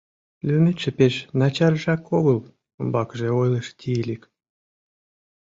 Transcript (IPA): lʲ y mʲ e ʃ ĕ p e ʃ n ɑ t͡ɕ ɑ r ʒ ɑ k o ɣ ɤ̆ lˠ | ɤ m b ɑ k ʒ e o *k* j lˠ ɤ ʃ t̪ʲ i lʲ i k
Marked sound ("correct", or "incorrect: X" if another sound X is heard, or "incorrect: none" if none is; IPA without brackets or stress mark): incorrect: none